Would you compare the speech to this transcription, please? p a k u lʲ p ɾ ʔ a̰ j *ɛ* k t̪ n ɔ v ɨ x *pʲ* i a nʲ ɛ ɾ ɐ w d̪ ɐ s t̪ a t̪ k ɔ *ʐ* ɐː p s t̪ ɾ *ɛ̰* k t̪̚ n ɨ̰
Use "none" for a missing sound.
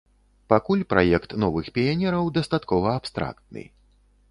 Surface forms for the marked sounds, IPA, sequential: ɛ, pʲ, v, a̰

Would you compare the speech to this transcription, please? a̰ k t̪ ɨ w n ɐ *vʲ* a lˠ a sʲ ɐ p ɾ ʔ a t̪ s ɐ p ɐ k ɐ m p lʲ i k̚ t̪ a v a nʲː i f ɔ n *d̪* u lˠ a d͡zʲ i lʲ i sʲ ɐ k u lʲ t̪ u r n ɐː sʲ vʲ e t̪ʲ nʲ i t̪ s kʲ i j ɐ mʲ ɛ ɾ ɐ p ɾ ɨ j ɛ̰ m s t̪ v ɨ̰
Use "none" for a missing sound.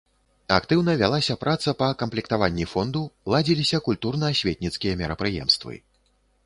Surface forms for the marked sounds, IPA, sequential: vʲ, d̪

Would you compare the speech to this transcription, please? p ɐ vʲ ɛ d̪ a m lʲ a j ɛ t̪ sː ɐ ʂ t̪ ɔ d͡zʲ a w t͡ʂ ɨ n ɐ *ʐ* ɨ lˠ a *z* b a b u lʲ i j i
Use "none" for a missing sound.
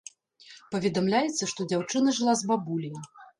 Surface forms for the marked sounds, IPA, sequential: ʐ, z

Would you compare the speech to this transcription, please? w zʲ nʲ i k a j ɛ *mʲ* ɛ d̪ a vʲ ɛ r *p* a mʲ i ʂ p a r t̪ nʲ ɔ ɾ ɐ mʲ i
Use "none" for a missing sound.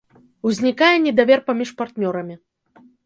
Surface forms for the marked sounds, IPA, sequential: nʲ, p

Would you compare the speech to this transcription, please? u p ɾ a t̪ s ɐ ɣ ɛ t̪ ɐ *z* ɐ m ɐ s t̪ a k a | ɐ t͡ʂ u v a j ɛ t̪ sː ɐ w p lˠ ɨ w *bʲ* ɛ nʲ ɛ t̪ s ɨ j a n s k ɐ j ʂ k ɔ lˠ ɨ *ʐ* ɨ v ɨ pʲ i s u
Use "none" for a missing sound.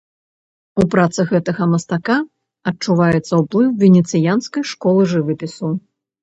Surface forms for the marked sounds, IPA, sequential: ɣ, vʲ, ʐ

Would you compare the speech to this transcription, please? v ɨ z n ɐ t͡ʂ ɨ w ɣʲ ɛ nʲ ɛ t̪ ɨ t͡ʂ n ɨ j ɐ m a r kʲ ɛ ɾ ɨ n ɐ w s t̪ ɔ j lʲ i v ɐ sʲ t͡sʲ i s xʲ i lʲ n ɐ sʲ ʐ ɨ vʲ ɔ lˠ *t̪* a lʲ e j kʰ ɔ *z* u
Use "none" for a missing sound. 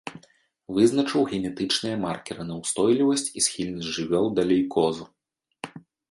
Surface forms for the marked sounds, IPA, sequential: d̪, z

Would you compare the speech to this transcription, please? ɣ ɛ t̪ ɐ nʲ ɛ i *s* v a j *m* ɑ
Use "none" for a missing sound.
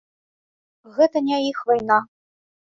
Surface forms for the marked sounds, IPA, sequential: x, n

